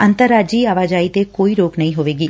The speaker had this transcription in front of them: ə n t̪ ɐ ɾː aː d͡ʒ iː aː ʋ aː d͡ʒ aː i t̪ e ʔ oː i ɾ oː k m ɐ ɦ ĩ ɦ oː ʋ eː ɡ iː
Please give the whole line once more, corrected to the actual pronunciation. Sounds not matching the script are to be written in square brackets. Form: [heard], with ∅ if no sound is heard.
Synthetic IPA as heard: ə n t̪ [ə] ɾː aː d͡ʒ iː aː ʋ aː d͡ʒ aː i t̪ e [k] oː i ɾ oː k [n] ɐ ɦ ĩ ɦ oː ʋ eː ɡ iː